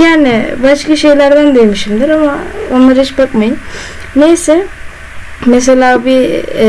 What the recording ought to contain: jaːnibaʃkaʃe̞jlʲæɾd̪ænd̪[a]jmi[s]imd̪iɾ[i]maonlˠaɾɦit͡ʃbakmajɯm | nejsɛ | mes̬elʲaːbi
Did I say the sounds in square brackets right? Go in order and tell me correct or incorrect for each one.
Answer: incorrect, incorrect, incorrect

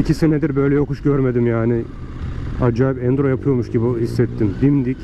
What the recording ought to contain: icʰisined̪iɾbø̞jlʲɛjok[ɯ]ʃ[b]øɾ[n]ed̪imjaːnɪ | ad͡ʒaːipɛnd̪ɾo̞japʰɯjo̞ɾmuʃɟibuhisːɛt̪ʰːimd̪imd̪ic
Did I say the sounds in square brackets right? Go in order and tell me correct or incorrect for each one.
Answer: incorrect, incorrect, incorrect

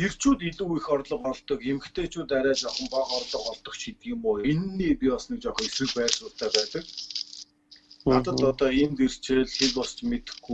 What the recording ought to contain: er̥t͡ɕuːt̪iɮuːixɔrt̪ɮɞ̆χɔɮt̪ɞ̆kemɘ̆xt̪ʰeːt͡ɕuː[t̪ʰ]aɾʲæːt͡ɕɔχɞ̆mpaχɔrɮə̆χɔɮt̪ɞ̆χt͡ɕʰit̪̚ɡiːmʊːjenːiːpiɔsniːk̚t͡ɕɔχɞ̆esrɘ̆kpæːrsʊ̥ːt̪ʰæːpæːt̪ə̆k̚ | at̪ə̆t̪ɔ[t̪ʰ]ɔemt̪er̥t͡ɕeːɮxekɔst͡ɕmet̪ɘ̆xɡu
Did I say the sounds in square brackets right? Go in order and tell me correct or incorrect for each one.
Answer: incorrect, incorrect

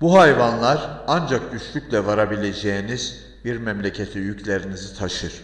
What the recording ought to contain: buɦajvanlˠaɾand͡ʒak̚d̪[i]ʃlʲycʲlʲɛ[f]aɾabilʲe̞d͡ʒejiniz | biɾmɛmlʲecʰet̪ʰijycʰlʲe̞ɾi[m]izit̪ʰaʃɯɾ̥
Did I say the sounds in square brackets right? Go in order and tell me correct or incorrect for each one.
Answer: incorrect, incorrect, incorrect

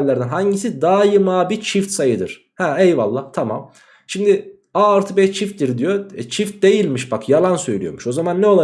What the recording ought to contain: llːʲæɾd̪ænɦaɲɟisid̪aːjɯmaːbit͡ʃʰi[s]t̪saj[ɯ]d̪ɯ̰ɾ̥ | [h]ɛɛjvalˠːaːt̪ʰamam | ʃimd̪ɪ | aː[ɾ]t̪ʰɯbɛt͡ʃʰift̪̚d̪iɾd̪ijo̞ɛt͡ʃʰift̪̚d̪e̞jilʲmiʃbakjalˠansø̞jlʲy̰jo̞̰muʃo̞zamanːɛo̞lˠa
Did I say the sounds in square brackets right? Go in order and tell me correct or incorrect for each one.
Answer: incorrect, correct, correct, correct

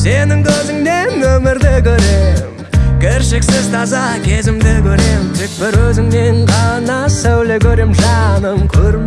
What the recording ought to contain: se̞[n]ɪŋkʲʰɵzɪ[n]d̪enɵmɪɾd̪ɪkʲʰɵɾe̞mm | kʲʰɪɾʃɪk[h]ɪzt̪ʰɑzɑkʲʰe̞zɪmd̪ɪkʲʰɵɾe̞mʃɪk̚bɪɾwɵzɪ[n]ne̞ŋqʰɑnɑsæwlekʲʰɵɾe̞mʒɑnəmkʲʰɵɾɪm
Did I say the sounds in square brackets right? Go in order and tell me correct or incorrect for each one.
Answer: correct, incorrect, incorrect, incorrect

